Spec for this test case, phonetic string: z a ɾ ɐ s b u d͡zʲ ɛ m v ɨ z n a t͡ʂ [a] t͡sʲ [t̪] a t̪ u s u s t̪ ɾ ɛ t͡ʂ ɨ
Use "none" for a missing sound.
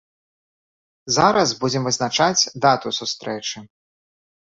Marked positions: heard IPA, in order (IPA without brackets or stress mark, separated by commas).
a, d̪